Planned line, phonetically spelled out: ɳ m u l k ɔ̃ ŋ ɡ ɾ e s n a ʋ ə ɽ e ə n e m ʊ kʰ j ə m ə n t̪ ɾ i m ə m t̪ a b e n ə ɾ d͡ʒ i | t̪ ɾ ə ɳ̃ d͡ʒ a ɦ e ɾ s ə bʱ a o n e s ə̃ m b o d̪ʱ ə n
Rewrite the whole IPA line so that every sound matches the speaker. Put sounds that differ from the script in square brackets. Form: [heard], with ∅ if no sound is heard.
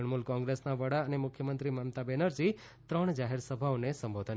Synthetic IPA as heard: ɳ m u l k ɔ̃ ŋ ɡ ɾ e s n a ʋ ə ɽ [a] ə n e m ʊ kʰ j ə m ə n t̪ ɾ i m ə m t̪ a b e n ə ɾ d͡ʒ i | t̪ ɾ ə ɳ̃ d͡ʒ a ɦ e ɾ s ə bʱ a o n e s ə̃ m b o d̪ʱ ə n